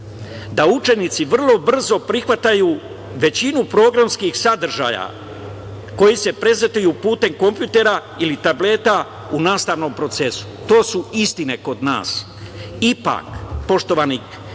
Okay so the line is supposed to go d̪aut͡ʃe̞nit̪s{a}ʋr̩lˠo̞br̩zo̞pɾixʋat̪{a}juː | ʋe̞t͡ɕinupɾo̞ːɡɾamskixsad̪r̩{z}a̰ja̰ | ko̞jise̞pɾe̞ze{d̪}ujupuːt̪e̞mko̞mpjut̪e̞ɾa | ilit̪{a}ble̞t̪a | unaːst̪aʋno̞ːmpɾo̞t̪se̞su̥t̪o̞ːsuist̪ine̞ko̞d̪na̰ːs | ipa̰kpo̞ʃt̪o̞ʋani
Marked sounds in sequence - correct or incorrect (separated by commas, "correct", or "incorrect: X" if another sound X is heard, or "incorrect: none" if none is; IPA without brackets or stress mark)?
incorrect: i, correct, incorrect: ʒ, incorrect: t̪, correct